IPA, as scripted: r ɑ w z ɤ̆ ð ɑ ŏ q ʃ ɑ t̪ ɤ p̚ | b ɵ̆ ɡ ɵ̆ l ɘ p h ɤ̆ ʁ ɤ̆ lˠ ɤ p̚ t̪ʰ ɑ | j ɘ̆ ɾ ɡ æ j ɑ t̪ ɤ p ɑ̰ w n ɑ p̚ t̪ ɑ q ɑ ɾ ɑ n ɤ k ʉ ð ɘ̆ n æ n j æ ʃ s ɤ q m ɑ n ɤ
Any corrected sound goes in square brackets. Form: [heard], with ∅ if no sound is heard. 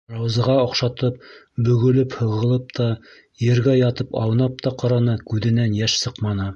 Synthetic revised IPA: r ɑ w z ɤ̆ [ʁ] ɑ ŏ q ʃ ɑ t̪ ɤ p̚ | b ɵ̆ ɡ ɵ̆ l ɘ p h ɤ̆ ʁ ɤ̆ lˠ ɤ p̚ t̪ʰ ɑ | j ɘ̆ ɾ ɡ æ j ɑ t̪ ɤ p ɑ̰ w n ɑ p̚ t̪ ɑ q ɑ ɾ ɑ n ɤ k ʉ ð ɘ̆ n æ n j æ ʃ s ɤ q m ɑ n ɤ